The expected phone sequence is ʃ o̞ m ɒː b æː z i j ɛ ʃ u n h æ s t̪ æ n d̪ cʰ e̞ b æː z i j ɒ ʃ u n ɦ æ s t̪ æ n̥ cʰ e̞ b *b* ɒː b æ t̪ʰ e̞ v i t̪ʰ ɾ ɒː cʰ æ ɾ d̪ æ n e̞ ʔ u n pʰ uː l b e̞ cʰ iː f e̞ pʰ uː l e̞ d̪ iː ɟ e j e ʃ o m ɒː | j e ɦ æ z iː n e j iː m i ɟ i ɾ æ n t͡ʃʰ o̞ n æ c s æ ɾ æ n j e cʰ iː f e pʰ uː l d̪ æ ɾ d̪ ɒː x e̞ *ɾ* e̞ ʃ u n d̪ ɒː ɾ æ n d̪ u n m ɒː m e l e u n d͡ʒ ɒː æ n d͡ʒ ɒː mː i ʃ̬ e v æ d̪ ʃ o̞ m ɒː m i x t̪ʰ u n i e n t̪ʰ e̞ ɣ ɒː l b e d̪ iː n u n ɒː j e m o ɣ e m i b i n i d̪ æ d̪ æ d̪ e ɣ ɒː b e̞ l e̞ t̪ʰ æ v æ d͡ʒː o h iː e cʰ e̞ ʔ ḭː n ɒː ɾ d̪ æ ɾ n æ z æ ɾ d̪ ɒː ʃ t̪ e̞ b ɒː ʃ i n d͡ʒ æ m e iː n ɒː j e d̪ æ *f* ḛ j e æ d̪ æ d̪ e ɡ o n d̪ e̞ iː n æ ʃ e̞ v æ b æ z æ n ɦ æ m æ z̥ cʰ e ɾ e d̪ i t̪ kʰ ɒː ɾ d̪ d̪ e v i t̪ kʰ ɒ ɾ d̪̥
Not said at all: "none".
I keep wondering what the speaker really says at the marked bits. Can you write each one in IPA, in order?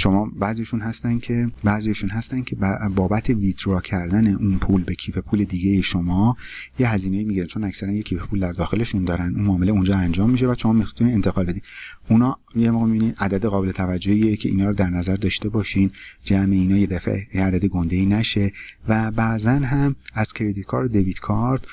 b, l, f

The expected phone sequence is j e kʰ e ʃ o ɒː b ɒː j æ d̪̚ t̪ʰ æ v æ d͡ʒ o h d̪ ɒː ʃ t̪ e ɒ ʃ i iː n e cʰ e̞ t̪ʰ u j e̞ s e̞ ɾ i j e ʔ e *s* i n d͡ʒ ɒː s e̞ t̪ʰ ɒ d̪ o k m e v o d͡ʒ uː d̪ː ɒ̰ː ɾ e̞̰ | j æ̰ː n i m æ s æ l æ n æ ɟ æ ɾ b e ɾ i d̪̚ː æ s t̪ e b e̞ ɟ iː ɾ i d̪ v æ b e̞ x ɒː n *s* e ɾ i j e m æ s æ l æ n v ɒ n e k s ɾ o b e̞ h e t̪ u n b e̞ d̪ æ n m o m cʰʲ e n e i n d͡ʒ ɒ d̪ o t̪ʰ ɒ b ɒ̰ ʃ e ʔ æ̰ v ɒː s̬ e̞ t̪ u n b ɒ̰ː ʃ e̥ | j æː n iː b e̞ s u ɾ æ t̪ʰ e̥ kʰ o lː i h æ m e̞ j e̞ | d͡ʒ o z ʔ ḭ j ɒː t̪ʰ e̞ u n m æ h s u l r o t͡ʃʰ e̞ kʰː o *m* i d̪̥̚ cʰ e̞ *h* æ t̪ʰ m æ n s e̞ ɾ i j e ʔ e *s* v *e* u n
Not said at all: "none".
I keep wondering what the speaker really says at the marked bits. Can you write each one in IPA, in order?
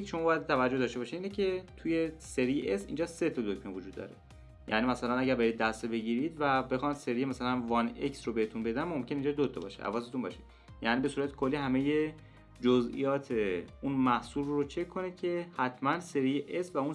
s, s, n, h, s, æ

